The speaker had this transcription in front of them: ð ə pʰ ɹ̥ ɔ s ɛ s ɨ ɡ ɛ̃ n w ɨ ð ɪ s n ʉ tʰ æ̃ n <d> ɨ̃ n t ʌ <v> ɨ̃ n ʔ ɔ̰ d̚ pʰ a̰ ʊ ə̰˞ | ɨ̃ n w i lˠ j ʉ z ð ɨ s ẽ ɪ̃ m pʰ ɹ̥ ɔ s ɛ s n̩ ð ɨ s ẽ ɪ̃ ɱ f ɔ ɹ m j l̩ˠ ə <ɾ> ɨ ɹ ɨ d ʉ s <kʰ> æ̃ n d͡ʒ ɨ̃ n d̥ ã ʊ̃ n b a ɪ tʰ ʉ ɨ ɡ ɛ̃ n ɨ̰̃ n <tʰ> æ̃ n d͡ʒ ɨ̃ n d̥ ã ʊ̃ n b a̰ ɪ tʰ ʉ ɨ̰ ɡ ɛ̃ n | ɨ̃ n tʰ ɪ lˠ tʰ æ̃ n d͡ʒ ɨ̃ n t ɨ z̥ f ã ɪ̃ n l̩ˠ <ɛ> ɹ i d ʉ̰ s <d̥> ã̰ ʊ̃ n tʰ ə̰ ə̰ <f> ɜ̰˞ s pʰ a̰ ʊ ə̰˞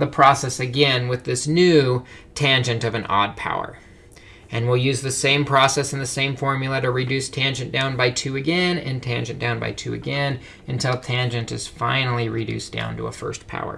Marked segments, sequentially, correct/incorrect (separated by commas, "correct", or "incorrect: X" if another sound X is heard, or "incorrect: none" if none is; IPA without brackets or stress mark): incorrect: d͡ʒ, correct, correct, incorrect: tʰ, correct, incorrect: i, correct, correct